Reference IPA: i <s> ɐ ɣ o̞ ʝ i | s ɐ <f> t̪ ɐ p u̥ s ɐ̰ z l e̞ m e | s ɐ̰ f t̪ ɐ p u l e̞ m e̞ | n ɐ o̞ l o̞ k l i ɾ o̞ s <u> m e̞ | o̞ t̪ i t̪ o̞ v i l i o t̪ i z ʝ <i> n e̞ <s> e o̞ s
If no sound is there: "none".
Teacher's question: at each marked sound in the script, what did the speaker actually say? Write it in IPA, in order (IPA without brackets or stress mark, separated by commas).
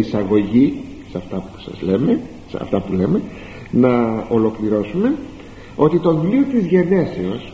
s, f, u, e, s